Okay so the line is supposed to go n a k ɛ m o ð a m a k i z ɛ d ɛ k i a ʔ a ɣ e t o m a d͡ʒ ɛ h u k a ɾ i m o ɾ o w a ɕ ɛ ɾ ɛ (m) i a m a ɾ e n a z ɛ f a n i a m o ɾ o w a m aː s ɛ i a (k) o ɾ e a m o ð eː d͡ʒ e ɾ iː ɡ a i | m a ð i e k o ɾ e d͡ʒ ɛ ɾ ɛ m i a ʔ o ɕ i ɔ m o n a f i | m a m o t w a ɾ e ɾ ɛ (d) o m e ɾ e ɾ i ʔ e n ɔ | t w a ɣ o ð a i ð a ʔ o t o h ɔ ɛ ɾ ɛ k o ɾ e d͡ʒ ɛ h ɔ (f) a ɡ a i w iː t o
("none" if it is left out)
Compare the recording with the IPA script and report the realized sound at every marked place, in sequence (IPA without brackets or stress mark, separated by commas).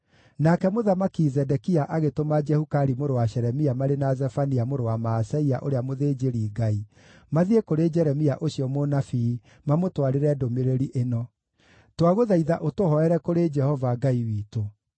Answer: m, ʔ, d, v